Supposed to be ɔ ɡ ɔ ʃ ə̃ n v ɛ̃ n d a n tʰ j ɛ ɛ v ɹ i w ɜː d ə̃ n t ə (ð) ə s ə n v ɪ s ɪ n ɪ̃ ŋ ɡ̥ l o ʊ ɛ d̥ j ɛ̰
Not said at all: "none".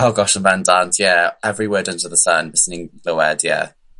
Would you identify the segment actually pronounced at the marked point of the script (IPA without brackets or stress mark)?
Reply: ð